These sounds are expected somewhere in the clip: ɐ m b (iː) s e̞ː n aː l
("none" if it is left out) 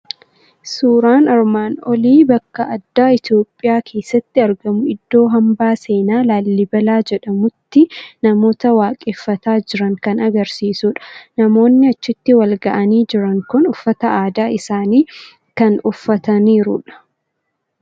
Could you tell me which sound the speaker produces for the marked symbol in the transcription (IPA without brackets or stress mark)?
aː